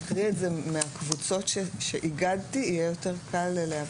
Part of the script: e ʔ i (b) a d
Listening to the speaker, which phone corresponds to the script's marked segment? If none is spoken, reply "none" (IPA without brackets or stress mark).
ɡ